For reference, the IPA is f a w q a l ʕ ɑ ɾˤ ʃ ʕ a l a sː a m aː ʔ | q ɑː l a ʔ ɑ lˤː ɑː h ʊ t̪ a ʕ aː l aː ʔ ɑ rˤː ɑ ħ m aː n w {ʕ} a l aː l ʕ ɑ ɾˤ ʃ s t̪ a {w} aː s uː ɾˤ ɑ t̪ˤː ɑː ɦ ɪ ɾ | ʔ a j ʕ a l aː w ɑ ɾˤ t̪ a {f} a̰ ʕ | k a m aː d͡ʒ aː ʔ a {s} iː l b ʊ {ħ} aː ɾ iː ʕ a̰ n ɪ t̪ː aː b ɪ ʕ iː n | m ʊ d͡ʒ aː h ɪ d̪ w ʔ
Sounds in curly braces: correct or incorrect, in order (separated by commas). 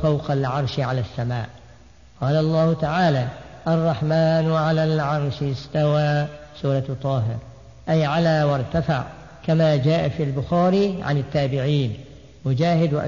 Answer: correct, correct, correct, incorrect, incorrect